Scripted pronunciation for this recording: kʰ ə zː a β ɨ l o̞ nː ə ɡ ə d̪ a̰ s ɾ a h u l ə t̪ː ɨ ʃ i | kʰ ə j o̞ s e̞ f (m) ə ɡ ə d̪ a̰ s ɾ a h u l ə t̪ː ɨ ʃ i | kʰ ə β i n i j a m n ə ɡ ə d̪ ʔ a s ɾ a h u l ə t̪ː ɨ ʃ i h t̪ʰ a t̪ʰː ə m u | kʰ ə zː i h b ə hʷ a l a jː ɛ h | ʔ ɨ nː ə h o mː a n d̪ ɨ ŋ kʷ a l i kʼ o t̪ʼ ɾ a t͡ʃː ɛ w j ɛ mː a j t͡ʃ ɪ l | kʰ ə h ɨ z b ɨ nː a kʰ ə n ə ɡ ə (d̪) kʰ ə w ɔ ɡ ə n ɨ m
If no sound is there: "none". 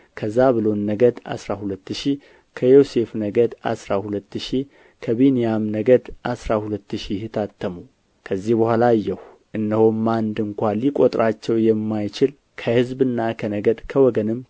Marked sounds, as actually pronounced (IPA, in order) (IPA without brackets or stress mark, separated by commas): n, d̪